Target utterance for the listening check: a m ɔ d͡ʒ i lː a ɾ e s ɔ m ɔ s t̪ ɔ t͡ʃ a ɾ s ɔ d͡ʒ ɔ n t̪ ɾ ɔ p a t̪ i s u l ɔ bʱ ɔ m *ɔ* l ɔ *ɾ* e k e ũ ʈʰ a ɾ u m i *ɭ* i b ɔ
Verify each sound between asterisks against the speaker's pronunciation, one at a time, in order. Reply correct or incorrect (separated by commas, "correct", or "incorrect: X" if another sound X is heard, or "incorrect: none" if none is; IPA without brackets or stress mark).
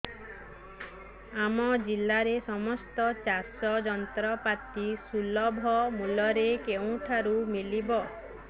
incorrect: u, correct, incorrect: l